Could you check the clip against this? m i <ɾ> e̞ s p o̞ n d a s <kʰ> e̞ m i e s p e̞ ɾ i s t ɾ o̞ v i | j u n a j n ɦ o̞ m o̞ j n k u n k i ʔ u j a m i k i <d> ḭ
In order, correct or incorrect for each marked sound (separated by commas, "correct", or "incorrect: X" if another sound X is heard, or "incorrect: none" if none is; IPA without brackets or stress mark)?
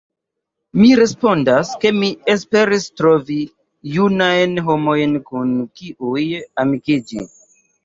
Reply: correct, incorrect: k, incorrect: d͡ʒ